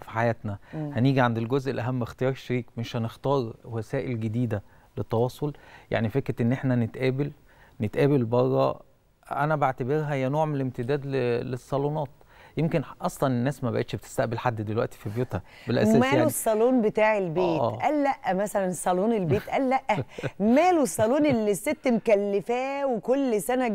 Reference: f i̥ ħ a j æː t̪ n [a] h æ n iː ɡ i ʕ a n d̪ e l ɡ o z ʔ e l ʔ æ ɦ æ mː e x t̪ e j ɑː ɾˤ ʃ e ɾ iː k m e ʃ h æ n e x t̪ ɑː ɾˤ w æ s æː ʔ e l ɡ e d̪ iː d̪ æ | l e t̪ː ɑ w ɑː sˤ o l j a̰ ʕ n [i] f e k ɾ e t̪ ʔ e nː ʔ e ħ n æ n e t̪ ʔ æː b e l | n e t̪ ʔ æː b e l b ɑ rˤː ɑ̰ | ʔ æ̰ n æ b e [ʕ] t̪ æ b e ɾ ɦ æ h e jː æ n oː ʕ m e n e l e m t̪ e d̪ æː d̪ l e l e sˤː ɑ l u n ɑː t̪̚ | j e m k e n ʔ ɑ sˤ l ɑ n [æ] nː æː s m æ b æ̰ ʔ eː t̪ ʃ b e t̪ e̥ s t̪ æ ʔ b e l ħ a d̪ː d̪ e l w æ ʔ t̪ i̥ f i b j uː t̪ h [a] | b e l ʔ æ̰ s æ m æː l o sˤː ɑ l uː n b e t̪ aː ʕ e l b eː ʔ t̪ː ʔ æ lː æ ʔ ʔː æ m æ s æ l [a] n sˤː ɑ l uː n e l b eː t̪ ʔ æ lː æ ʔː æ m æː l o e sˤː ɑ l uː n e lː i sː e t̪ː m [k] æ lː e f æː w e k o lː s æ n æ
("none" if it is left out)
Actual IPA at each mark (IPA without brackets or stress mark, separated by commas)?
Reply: æ, i, ʕ, e, æ, æ, k